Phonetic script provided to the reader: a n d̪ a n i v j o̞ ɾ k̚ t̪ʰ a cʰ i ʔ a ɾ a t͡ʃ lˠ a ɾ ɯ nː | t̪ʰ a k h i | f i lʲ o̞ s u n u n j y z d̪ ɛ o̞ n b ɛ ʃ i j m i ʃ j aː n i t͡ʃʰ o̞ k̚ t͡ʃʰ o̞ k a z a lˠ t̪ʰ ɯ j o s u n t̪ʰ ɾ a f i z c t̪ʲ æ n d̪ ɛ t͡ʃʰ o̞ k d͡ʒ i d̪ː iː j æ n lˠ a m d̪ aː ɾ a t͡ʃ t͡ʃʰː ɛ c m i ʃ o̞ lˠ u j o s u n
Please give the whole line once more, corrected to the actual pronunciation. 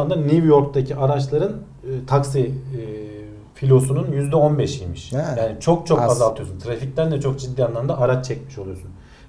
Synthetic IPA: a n d̪ a n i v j o̞ ɾ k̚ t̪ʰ a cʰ i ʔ a ɾ a t͡ʃ lˠ a ɾ ɯ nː | t̪ʰ a k s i | f i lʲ o̞ s u n u n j y z d̪ ɛ o̞ n b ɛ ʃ i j m i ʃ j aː n i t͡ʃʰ o̞ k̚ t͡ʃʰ o̞ k a z a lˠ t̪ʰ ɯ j o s u n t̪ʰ ɾ a f i c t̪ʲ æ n d̪ ɛ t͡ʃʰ o̞ k d͡ʒ i d̪ː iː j a n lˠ a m d̪ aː ɾ a t͡ʃ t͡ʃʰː ɛ c m i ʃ o̞ lˠ u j o s u n